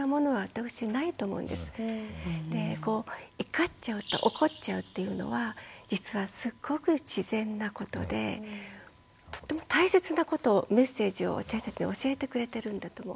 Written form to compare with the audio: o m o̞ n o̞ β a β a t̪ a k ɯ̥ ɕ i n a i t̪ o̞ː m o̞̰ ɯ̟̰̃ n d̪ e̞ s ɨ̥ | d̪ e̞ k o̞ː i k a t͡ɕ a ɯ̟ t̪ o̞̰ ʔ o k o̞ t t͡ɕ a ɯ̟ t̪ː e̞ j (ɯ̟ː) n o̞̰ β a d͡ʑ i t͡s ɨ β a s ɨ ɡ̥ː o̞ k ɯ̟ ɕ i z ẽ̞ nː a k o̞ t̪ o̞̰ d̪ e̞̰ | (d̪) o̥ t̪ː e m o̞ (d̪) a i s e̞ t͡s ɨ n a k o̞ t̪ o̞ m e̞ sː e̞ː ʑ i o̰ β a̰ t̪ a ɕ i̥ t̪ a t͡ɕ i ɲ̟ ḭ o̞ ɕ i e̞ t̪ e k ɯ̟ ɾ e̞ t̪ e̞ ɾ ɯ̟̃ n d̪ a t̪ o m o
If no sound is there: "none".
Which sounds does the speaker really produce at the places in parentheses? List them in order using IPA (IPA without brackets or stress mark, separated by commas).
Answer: ɯ̟, t̪, t̪